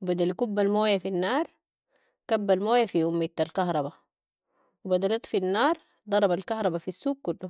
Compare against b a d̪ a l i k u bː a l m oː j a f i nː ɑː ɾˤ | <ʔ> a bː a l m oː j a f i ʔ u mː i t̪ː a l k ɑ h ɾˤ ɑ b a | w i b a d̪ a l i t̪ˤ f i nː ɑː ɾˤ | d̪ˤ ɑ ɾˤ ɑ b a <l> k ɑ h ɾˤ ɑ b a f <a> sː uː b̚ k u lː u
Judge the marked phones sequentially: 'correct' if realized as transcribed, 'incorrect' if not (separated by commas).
incorrect, correct, incorrect